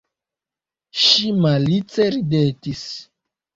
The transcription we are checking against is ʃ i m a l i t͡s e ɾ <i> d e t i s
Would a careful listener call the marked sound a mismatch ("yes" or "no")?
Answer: no